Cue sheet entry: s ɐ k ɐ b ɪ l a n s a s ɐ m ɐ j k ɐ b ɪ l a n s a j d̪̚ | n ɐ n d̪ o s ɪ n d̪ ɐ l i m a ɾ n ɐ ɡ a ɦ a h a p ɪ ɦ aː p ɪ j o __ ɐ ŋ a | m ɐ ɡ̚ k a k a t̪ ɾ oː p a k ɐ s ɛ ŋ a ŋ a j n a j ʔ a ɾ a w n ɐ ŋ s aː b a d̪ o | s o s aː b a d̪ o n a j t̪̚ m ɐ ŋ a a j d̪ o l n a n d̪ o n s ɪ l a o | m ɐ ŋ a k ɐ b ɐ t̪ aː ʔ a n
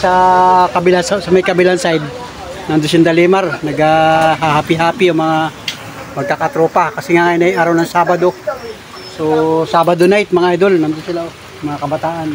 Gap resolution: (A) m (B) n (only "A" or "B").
A